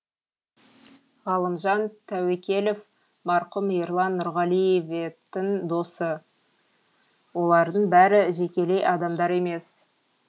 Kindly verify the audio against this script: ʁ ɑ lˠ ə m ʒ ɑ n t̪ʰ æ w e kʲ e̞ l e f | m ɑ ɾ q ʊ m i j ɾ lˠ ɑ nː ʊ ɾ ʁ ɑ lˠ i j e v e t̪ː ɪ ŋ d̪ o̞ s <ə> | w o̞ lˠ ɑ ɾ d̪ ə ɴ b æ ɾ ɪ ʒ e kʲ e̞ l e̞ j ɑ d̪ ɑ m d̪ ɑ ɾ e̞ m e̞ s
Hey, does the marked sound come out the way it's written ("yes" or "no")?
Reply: yes